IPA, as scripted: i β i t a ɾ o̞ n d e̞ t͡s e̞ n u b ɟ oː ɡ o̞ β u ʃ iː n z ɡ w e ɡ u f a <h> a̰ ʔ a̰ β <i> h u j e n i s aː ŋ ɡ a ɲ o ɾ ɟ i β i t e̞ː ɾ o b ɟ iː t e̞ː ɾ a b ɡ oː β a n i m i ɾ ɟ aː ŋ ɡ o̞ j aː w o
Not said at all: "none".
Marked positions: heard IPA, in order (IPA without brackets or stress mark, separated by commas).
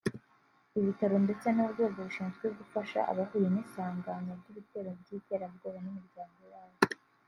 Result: ʃ, a